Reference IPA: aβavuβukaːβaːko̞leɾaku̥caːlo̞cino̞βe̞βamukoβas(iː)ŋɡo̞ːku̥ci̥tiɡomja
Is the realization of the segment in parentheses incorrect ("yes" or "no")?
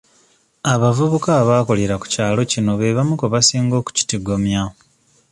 no